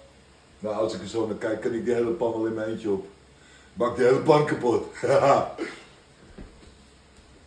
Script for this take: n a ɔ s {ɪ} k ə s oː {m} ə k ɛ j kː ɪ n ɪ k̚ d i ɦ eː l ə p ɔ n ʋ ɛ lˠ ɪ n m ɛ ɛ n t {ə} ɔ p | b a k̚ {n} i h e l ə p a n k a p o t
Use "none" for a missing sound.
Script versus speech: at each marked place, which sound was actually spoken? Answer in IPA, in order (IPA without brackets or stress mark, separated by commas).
ɪ, n, ə, d